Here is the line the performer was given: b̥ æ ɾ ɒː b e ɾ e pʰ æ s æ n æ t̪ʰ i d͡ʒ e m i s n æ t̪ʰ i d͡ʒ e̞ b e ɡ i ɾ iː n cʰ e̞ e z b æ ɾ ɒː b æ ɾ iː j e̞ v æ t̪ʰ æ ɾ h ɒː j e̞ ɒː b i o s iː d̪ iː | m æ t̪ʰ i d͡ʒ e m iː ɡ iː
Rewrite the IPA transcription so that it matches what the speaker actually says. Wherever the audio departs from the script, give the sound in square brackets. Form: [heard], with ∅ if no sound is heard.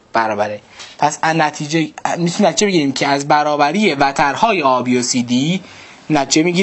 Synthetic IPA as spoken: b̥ æ ɾ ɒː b [æ] ɾ e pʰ æ s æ n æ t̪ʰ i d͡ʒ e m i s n æ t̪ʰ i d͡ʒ e̞ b e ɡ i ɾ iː [m] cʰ e̞ [æ] z b æ ɾ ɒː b æ ɾ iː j e̞ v æ t̪ʰ æ ɾ h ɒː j e̞ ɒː b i o s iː d̪ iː | [n] æ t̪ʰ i d͡ʒ e m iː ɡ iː